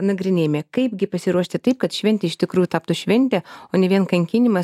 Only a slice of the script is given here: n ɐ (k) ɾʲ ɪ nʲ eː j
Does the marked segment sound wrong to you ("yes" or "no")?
yes